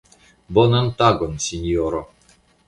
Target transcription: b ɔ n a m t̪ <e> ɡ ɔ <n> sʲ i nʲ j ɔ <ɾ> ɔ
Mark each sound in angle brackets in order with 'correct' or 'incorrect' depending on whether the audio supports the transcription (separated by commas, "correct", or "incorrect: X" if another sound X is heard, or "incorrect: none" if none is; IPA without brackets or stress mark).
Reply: incorrect: a, correct, correct